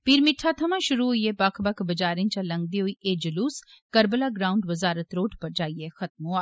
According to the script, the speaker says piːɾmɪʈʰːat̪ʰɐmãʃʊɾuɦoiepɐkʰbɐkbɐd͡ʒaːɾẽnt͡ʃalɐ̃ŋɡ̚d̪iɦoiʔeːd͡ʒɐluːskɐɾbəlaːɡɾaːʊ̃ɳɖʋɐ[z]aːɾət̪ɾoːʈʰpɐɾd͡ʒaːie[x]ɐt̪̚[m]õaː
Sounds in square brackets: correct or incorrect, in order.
correct, correct, correct

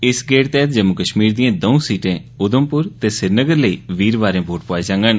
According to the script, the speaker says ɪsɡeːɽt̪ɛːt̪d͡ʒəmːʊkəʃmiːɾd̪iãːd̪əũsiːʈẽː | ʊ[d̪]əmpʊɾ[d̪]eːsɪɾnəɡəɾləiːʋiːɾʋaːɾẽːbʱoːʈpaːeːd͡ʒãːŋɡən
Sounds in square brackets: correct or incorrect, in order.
correct, incorrect: t̪

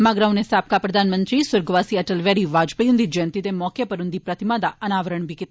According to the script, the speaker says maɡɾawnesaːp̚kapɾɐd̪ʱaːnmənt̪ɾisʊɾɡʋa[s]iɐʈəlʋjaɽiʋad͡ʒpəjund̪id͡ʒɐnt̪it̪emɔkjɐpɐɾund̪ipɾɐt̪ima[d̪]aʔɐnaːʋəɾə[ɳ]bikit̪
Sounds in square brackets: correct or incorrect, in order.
correct, correct, correct

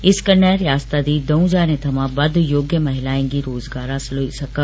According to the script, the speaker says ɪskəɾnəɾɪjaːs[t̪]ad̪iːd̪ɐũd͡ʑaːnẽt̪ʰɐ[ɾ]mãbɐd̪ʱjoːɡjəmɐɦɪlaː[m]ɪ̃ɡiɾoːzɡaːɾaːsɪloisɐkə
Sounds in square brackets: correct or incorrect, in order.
correct, incorrect: none, incorrect: none

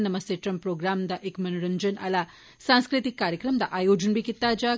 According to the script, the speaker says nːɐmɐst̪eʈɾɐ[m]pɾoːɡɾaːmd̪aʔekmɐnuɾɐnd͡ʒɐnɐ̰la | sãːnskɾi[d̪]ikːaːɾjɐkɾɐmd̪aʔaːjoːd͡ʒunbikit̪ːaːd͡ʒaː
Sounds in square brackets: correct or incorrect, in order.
correct, incorrect: t̪

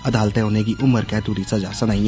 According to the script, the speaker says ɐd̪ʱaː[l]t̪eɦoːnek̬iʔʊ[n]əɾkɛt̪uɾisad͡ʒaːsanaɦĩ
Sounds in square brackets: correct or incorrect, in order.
correct, incorrect: m

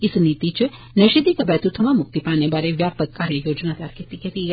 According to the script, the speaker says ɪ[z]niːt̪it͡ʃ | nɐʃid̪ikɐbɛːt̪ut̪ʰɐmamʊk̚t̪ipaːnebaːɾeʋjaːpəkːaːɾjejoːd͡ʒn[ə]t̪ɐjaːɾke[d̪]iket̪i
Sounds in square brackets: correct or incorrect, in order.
incorrect: s, incorrect: a, incorrect: t̪

